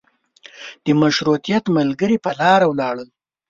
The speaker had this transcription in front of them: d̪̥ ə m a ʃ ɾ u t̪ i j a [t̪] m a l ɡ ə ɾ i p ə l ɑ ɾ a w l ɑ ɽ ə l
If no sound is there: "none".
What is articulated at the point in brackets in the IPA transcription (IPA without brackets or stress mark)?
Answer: t̪